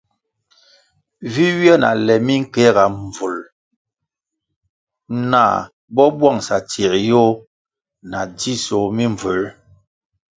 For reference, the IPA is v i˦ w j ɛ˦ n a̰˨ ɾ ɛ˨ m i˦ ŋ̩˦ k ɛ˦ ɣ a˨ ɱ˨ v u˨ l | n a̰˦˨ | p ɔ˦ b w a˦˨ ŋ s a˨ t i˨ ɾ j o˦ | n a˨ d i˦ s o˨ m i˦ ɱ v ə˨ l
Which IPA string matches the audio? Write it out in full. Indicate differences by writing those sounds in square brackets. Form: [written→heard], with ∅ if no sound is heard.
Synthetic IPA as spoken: v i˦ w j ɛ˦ n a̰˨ [ɾ→l] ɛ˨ m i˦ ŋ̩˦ k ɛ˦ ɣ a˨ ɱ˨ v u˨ l | n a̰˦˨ | [p→b] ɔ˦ b w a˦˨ ŋ s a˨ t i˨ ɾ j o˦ | n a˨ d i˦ s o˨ m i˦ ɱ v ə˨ l